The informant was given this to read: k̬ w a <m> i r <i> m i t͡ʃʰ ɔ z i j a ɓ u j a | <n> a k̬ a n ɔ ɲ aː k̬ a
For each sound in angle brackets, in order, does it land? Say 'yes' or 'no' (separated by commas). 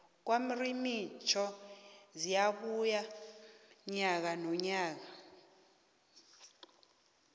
yes, yes, no